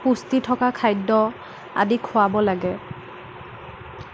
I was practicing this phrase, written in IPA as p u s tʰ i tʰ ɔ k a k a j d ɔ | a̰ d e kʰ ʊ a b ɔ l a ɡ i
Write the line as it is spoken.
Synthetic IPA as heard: p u s t i tʰ ɔ k a kʰ a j d ɔ | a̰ d i kʰ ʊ a b ɔ l a ɡ ɛ